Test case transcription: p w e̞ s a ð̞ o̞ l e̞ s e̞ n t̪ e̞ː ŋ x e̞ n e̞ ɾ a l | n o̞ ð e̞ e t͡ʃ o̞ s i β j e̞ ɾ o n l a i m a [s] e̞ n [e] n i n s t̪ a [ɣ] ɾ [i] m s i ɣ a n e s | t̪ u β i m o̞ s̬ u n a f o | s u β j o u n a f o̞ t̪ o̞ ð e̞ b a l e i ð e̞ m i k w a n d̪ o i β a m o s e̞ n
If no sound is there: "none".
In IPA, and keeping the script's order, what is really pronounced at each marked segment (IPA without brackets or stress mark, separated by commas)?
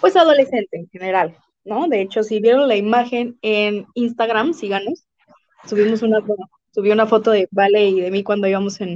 x, e, ɣ, a